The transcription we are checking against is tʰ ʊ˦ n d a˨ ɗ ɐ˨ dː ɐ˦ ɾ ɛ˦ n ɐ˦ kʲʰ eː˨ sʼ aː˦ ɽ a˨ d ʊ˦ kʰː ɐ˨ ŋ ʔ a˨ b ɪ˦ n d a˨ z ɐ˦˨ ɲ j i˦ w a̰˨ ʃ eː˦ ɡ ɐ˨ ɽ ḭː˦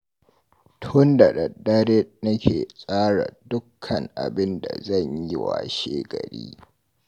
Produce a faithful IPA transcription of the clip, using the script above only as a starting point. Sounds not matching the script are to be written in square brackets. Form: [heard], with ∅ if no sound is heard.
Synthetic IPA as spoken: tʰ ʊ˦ n d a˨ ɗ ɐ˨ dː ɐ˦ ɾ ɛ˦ n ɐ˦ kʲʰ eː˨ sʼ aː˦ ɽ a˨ d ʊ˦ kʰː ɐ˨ ŋ ʔ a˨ b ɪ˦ n d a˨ z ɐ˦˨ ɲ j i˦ w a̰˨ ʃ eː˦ ɡ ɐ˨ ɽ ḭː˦